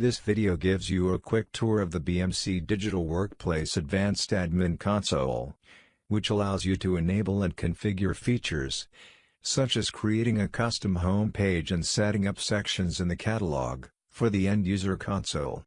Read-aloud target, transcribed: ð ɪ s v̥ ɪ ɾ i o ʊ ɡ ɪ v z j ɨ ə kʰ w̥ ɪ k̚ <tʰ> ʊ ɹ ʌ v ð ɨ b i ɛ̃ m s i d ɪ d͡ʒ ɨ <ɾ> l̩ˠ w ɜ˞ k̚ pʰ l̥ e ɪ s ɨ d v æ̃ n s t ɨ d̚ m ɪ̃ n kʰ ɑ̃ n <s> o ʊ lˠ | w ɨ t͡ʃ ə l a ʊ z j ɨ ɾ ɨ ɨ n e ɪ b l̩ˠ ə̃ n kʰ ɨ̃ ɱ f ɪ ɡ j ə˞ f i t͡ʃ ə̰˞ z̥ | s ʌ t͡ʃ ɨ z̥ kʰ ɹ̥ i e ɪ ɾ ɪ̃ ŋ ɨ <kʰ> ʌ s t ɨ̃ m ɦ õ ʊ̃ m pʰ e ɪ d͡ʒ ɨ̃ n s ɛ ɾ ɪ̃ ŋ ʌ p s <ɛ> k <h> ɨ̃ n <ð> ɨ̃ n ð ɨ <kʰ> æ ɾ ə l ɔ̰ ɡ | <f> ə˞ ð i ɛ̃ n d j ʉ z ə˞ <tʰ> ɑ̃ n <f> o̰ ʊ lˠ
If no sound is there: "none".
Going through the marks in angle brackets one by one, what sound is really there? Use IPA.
tʰ, ɾ, s, kʰ, ɛ, ʃ, z, kʰ, f, kʰ, s

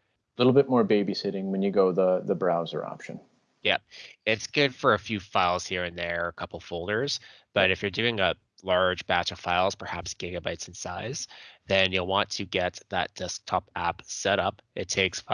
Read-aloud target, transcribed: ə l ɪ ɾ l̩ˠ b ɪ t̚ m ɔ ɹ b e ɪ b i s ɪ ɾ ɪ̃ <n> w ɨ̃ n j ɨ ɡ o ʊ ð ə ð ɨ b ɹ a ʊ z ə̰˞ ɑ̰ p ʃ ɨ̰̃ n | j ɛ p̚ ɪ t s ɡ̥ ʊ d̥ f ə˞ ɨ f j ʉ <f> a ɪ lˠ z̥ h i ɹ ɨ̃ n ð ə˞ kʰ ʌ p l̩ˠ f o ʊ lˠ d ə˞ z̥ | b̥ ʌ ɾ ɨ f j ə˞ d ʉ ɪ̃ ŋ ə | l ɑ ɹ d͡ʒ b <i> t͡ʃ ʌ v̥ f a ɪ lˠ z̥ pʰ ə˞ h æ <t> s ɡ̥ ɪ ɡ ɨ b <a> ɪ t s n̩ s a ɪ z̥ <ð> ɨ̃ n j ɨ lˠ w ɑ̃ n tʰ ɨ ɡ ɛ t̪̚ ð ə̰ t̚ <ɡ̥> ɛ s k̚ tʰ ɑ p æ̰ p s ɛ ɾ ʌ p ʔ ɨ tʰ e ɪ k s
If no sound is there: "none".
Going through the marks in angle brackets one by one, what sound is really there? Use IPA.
ŋ, f, æ, p, a, ð, d̥

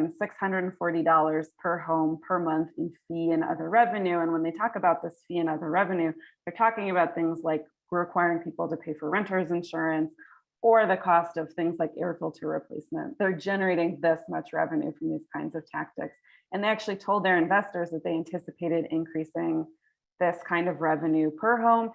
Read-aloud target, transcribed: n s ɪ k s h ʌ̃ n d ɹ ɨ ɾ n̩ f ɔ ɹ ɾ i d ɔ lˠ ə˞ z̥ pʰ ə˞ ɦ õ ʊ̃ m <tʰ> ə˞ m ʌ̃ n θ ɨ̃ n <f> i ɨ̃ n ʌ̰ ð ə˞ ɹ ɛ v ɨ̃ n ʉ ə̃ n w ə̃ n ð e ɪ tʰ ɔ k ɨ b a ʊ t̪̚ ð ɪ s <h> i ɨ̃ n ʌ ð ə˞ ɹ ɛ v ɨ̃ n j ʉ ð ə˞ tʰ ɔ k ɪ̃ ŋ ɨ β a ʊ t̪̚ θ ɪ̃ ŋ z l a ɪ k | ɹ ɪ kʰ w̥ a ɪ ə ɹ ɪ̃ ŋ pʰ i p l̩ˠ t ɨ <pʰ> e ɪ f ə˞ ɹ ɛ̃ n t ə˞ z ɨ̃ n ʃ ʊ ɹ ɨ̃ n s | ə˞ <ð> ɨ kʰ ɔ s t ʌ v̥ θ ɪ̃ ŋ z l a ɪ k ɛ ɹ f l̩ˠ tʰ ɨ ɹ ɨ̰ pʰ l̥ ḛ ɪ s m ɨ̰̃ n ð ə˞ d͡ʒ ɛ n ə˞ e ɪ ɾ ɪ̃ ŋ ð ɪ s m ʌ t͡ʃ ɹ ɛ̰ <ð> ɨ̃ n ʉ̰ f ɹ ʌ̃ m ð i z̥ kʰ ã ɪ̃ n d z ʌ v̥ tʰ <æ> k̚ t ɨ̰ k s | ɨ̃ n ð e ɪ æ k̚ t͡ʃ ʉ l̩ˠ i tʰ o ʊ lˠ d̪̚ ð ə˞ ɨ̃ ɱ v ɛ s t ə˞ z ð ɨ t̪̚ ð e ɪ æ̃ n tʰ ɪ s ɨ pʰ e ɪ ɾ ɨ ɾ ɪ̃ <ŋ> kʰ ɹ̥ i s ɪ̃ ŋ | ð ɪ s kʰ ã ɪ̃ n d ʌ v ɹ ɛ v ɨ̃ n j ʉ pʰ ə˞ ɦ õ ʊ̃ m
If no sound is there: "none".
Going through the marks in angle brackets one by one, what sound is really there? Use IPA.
pʰ, f, f, pʰ, ð, v, æ, n

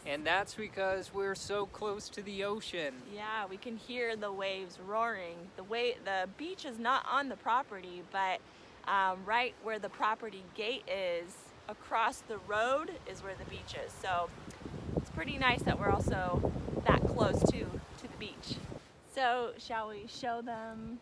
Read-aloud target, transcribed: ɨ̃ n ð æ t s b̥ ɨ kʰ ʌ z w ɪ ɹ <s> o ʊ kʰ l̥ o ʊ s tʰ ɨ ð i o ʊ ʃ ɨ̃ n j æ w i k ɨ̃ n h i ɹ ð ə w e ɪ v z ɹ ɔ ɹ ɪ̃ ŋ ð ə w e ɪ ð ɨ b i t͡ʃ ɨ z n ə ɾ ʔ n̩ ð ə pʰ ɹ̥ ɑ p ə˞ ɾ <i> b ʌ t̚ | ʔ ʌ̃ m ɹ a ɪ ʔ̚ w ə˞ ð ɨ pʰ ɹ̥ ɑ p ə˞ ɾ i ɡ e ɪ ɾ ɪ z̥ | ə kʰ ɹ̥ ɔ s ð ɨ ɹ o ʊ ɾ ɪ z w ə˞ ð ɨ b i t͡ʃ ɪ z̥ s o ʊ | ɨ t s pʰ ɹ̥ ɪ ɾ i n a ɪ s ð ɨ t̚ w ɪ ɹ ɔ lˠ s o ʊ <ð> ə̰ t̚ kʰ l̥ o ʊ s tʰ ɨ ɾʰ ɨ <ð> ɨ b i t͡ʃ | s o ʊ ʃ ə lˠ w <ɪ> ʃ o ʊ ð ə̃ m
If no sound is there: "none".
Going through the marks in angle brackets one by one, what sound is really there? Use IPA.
s, i, ð, ð, i

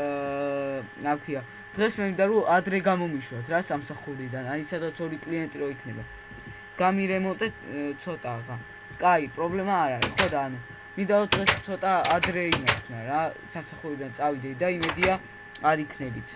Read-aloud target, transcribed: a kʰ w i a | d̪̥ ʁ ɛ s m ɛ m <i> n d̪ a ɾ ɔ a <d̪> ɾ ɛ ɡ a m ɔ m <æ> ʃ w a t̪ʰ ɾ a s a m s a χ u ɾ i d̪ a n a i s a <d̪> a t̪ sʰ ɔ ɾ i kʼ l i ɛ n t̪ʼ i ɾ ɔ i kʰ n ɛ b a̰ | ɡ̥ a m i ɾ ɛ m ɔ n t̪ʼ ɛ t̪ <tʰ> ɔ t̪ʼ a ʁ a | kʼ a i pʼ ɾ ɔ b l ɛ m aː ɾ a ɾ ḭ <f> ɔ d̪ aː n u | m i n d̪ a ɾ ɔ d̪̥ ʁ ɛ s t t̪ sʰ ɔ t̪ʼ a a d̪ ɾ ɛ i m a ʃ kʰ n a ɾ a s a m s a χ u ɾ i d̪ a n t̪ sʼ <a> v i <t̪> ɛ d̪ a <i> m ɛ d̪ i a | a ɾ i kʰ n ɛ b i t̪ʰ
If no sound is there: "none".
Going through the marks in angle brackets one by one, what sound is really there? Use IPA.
i, d̪, i, d̪, sʰ, χ, a, d̪, i

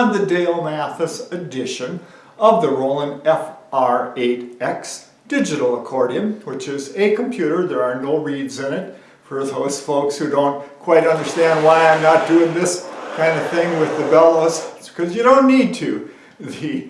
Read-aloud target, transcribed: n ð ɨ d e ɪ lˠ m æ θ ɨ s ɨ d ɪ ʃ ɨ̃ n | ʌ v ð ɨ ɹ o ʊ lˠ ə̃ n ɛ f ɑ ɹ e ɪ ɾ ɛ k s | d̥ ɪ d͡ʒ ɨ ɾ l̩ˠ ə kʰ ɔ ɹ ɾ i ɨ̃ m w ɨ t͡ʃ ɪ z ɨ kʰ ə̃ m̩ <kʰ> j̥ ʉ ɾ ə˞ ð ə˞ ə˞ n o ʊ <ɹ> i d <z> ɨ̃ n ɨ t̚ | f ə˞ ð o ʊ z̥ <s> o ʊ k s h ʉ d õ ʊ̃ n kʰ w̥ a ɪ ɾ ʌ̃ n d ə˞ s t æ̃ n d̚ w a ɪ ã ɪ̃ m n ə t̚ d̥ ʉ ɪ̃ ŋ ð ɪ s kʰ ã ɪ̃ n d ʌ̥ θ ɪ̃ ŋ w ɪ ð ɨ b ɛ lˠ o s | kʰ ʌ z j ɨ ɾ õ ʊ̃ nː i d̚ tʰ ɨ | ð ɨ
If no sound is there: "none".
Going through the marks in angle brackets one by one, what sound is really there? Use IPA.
pʰ, ɹ, z, f

